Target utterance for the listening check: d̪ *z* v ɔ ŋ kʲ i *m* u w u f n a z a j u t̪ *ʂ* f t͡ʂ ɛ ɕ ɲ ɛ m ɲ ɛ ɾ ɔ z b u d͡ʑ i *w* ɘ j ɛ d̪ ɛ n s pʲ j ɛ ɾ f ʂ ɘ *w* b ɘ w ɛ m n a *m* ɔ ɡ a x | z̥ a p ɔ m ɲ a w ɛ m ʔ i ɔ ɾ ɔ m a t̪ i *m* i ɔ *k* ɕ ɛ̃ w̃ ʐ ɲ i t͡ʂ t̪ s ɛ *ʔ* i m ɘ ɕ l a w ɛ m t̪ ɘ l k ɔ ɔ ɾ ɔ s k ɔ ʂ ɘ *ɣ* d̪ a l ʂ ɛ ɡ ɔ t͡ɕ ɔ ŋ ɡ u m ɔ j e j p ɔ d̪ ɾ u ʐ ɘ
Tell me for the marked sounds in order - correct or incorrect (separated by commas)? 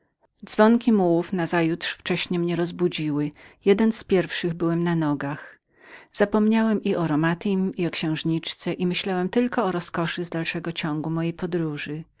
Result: correct, correct, correct, correct, incorrect, incorrect, correct, correct, correct, incorrect